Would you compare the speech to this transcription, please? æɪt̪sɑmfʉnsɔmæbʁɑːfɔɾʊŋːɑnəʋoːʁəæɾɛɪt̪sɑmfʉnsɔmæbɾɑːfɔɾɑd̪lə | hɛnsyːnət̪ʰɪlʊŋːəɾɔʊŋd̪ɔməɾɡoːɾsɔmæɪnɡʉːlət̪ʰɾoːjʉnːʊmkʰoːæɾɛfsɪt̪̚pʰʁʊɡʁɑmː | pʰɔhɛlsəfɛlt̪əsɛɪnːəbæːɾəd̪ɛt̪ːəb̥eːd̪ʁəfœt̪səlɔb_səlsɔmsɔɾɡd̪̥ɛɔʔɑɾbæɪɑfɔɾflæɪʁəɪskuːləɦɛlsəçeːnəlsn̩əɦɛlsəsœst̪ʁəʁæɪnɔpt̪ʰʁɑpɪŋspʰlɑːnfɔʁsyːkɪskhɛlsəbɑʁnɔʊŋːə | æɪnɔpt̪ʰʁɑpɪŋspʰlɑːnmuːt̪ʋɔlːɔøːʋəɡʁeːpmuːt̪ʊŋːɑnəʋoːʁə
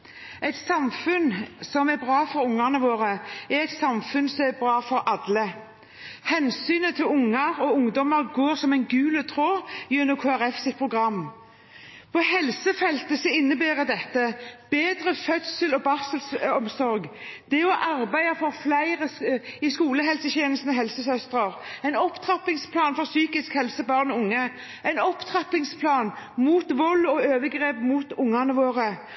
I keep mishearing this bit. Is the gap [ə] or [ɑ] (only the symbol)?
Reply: ɑ